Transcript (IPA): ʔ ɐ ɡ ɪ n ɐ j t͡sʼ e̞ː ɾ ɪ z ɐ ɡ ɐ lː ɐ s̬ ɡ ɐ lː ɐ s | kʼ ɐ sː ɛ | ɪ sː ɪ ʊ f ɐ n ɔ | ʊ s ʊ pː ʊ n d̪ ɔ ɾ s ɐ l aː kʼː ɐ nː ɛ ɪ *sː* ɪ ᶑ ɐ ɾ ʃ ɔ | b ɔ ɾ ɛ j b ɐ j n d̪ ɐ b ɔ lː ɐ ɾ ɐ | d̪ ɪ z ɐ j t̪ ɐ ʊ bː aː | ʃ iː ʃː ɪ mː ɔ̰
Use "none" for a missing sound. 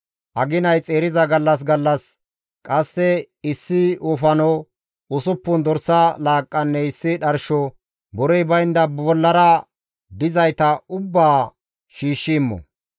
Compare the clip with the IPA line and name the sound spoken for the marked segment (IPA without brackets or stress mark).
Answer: sː